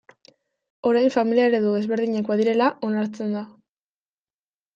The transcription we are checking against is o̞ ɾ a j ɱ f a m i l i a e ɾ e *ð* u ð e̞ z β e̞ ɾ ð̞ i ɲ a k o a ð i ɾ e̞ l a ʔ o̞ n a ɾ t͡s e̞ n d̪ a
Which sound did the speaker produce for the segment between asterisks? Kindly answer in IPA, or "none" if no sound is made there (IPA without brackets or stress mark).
ð